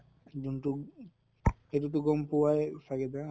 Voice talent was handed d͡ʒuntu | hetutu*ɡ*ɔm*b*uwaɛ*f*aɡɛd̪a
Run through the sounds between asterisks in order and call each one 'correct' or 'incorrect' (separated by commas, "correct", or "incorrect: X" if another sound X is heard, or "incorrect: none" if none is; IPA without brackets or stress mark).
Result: correct, incorrect: p, correct